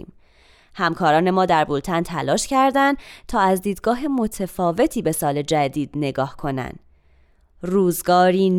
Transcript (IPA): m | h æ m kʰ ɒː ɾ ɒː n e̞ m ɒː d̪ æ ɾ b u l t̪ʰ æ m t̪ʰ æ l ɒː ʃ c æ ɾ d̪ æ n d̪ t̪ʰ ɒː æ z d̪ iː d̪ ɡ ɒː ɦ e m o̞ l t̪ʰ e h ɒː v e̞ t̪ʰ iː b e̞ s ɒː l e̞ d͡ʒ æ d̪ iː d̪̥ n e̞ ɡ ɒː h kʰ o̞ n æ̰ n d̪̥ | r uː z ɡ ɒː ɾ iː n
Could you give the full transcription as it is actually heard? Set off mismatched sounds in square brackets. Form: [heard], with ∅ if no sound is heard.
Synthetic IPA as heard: m | h æ m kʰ ɒː ɾ ɒː n e̞ m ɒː d̪ æ ɾ b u l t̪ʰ æ [n] t̪ʰ æ l ɒː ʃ c æ ɾ d̪ æ n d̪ t̪ʰ ɒː æ z d̪ iː d̪ ɡ ɒː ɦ e m o̞ [∅] t̪ʰ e [f] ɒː v e̞ t̪ʰ iː b e̞ s ɒː l e̞ d͡ʒ æ d̪ iː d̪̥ n e̞ ɡ ɒː h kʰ o̞ n æ̰ n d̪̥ | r uː z ɡ ɒː ɾ iː n